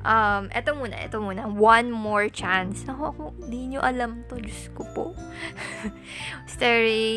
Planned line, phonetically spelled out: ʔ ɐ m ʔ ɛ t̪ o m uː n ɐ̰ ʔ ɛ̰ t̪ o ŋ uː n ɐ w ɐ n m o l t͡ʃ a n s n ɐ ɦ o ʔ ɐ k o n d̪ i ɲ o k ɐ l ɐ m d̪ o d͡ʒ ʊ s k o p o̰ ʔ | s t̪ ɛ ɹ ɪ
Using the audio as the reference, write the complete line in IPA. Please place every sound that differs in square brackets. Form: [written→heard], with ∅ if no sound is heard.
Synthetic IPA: ʔ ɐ m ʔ ɛ t̪ o m uː n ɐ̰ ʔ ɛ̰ t̪ o [ŋ→m] uː n ɐ w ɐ n m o [l→ɹ] t͡ʃ a n s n ɐ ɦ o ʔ ɐ k o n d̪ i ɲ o [k→ʔ] ɐ l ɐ m [d̪→t̪] o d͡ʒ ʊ s k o p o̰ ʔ | s t̪ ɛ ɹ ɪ